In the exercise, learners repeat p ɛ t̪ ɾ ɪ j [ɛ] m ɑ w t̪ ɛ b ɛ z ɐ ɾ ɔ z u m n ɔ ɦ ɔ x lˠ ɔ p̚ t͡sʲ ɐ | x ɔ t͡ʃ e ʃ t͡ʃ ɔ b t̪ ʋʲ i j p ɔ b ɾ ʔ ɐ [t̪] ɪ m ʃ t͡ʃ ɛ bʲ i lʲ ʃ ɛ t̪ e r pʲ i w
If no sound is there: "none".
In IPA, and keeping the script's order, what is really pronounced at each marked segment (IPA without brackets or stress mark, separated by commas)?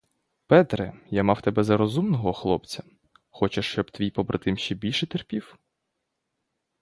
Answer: a, t̪